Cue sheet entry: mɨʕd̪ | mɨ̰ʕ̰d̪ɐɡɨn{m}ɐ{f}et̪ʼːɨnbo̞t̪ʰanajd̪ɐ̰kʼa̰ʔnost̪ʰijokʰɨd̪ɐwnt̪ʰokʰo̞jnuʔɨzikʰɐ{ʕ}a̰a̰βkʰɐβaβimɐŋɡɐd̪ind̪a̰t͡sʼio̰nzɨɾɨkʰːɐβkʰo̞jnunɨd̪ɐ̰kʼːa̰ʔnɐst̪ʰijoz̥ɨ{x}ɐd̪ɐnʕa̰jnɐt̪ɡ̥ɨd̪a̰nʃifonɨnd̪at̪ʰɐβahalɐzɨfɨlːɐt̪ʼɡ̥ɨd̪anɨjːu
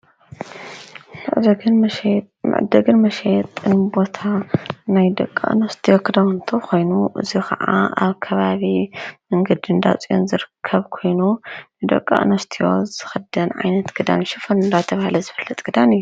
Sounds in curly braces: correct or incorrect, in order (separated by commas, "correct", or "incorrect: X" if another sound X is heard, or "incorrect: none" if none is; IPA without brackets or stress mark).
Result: correct, incorrect: ʃ, correct, correct